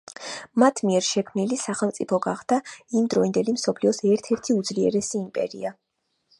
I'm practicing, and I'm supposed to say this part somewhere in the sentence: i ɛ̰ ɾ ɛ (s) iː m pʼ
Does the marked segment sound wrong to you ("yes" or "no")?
no